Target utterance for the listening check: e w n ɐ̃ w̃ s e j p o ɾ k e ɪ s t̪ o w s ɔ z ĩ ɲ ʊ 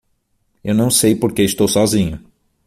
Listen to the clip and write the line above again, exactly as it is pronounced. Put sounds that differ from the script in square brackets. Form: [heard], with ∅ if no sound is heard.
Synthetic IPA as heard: e w n ɐ̃ w̃ s e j p o ɾ k e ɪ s t̪ o w s ɔ z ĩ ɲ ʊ